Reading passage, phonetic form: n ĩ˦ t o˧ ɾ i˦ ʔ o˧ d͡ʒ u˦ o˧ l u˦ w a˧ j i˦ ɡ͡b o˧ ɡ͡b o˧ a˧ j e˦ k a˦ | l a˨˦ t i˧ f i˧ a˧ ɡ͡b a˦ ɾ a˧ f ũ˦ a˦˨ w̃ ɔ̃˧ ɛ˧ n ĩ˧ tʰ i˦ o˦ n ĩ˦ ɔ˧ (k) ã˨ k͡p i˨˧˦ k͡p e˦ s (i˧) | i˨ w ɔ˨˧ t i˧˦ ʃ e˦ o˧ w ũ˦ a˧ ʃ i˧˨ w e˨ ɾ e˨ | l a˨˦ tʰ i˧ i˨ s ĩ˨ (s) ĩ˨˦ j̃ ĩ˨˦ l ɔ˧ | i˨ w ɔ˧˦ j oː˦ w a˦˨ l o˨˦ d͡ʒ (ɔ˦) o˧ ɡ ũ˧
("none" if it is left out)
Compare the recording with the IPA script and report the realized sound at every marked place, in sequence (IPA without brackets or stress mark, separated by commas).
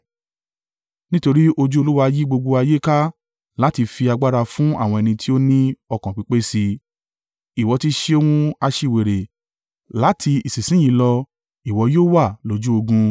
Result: k, i˧, s, u˦